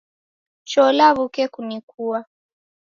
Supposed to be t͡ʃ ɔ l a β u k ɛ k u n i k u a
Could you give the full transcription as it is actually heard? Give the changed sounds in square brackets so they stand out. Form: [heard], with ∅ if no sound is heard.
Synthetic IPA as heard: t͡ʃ ɔ l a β u k ɛ k u n i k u a